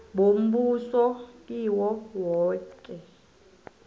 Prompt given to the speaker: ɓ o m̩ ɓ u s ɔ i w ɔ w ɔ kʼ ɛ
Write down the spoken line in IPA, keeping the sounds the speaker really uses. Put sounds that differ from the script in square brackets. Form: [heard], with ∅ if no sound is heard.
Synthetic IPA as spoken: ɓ o m̩ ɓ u s ɔ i w ɔ w [ɔː] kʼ ɛ

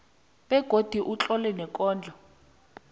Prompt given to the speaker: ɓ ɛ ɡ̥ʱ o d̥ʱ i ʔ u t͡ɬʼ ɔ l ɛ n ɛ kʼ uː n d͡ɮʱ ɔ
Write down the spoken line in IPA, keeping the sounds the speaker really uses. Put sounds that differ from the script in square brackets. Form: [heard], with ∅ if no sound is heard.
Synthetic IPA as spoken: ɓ ɛ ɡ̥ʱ o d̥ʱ i ʔ u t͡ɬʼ ɔ l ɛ n ɛ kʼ [ɔː] n d͡ɮʱ ɔ

